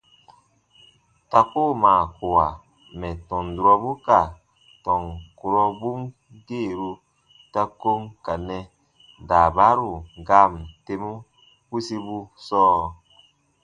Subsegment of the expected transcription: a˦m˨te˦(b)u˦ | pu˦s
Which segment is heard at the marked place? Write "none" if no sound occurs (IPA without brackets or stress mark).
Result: m